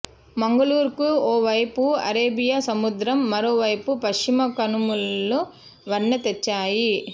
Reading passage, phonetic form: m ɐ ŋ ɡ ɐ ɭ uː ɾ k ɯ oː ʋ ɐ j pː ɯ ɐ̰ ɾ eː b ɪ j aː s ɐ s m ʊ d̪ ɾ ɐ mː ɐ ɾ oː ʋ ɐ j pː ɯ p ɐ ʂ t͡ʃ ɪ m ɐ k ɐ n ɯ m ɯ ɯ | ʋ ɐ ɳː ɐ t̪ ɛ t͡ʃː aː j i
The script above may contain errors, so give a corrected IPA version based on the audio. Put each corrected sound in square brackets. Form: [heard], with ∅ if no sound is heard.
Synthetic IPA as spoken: m ɐ ŋ ɡ ɐ ɭ uː ɾ k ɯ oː ʋ ɐ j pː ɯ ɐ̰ ɾ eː b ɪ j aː s ɐ [∅] m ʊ d̪ ɾ ɐ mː ɐ ɾ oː ʋ ɐ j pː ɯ p ɐ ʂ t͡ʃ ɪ m ɐ k ɐ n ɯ m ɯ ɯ | ʋ ɐ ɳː ɐ t̪ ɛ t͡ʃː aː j i